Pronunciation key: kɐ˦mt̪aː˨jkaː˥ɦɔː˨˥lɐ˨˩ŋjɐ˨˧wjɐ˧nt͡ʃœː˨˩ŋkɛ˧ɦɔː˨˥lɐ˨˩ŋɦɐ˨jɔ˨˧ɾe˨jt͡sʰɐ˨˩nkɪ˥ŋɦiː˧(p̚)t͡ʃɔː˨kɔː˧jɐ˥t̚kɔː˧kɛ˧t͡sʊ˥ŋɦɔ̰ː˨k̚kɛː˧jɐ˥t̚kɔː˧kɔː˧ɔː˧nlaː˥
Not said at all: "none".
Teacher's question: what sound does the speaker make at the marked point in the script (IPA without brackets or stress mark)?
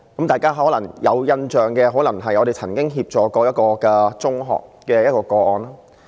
p̚